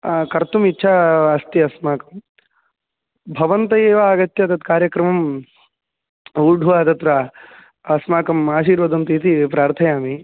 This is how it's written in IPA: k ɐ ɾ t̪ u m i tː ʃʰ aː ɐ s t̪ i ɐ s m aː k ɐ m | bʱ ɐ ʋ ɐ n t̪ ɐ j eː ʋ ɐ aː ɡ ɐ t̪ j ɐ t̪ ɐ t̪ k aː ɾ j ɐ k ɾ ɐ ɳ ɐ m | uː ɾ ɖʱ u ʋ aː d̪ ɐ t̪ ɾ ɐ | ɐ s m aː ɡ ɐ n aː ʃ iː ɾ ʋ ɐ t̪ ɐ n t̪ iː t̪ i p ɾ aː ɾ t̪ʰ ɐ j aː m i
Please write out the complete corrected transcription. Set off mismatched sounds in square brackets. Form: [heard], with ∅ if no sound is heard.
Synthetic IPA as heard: k ɐ ɾ t̪ u m i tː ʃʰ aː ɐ s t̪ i ɐ s m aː k ɐ m | bʱ ɐ ʋ ɐ n t̪ ɐ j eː ʋ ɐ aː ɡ ɐ t̪ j ɐ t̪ ɐ t̪ k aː ɾ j ɐ k ɾ ɐ [m] ɐ m | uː ɾ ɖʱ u ʋ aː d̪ ɐ t̪ ɾ ɐ | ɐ s m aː [k] ɐ [m] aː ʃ iː ɾ ʋ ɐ [d̪] ɐ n t̪ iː t̪ i p ɾ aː ɾ t̪ʰ ɐ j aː m i